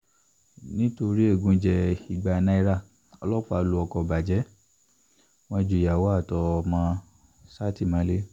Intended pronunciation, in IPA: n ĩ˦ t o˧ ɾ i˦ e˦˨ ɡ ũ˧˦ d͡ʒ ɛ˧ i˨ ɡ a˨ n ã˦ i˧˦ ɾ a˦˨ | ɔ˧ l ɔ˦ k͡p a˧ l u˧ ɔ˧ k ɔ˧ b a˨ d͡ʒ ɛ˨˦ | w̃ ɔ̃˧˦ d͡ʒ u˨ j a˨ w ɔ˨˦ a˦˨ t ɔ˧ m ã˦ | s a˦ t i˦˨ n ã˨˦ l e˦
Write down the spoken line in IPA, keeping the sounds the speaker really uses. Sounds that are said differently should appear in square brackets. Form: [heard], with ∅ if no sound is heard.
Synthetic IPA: n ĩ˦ t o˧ ɾ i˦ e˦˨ ɡ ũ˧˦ d͡ʒ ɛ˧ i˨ [ɡ͡b] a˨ n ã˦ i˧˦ ɾ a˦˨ | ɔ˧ l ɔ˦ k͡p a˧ l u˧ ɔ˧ k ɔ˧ b a˨ d͡ʒ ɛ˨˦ | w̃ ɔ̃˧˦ d͡ʒ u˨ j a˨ w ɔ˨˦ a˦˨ t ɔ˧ m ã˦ | s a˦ t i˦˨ [m] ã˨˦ l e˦